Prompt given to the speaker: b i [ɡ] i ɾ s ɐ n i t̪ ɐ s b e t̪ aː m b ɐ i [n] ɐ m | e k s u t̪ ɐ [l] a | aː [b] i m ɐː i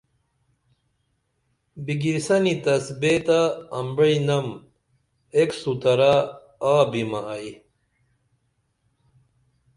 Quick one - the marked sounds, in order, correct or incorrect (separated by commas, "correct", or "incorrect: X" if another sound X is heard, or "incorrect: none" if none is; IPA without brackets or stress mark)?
correct, correct, incorrect: ɾ, correct